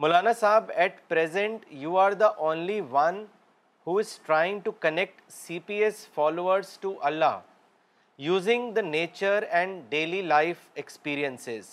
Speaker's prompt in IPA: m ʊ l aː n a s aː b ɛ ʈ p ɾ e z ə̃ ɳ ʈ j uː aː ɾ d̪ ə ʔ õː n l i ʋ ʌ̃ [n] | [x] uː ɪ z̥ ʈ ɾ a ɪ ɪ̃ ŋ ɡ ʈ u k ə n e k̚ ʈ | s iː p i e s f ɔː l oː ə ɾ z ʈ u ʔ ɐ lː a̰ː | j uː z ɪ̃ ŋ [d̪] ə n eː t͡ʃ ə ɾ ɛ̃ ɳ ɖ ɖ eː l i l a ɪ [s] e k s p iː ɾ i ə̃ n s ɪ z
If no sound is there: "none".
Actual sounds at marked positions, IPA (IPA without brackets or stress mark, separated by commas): n, h, d̪, f